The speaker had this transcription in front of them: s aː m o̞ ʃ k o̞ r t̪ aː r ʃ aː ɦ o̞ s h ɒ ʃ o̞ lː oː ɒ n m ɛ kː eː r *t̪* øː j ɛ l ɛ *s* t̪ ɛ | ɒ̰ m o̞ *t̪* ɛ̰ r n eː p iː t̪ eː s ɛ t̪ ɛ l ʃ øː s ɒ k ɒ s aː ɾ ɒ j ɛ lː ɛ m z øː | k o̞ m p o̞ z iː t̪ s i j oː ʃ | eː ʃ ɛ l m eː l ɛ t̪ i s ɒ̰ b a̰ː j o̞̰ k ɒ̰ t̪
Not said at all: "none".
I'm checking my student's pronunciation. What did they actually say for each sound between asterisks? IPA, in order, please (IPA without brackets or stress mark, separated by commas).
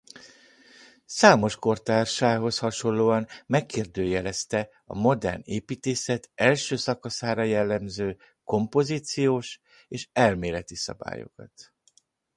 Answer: d̪, s, d̪